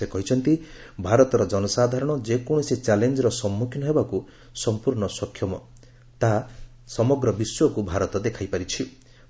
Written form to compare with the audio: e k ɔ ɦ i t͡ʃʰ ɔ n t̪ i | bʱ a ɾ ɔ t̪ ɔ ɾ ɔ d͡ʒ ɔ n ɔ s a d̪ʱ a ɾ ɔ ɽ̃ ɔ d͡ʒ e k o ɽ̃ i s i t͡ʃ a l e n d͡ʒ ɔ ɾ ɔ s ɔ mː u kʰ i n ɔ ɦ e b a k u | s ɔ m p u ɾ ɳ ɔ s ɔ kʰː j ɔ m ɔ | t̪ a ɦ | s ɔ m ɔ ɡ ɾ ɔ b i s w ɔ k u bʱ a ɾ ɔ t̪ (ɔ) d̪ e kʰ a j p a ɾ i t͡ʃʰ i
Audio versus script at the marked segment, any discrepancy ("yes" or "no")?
no